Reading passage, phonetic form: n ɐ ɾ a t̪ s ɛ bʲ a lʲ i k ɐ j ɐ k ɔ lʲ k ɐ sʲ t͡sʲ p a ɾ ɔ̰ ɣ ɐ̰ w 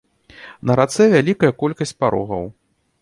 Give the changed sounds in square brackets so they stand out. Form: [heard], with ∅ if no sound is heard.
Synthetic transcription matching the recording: n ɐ ɾ a t̪ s ɛ [vʲ] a lʲ i k ɐ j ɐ k ɔ lʲ k ɐ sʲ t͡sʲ p a ɾ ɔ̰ ɣ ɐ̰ w